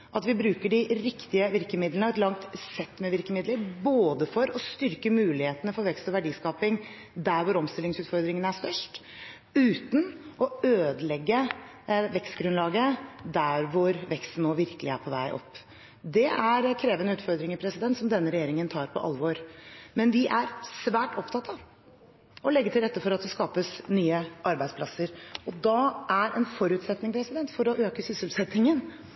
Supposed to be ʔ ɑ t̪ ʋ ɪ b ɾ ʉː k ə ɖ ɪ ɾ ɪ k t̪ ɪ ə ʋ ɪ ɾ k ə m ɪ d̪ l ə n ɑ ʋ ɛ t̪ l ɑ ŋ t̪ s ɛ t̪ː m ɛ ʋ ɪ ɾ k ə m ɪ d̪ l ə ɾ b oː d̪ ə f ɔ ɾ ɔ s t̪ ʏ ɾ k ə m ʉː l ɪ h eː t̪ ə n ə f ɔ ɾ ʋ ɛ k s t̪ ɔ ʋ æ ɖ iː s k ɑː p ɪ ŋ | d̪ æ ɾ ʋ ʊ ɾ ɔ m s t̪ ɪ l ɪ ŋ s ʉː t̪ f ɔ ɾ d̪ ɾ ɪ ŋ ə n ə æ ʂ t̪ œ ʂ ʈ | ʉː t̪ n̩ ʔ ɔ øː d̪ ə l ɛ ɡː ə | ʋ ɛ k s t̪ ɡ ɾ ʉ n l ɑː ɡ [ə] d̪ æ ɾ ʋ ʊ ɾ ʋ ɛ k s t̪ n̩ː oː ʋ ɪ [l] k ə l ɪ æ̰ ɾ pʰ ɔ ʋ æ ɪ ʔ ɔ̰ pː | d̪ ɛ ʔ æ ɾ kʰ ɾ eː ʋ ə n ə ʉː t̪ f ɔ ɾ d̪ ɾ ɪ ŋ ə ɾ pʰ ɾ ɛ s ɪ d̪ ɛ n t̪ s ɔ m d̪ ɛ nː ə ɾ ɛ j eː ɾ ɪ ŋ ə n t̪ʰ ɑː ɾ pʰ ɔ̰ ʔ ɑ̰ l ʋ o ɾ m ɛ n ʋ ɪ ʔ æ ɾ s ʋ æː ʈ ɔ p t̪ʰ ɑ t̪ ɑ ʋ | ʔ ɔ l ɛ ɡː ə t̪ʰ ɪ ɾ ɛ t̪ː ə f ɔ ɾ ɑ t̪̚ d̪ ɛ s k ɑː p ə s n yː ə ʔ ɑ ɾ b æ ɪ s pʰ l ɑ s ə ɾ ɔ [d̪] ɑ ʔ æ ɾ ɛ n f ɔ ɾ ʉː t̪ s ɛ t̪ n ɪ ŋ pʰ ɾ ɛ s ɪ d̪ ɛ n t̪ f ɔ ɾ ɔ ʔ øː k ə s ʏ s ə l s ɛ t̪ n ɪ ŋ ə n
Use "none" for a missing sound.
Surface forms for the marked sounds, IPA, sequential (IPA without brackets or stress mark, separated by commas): ə, ɾ, d̪